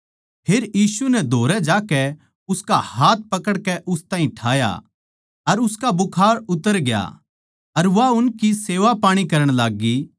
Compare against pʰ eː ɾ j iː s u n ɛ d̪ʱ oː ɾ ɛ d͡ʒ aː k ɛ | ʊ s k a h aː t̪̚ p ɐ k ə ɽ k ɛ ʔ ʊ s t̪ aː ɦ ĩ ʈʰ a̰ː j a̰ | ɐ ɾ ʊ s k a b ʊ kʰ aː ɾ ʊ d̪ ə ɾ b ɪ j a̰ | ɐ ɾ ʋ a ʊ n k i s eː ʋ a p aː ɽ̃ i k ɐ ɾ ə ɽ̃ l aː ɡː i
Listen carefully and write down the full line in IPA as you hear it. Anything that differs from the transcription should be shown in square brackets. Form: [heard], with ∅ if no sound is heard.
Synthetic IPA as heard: pʰ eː ɾ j iː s u n ɛ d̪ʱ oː ɾ ɛ d͡ʒ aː k ɛ | ʊ s k a h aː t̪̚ p ɐ k ə ɽ k ɛ ʔ ʊ s t̪ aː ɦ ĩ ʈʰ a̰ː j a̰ | ɐ ɾ ʊ s k a b ʊ kʰ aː ɾ ʊ [t̪] ə ɾ [ɡ] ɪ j a̰ | ɐ ɾ ʋ a ʊ n k i s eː ʋ a p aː ɽ̃ i k ɐ ɾ ə ɽ̃ l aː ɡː i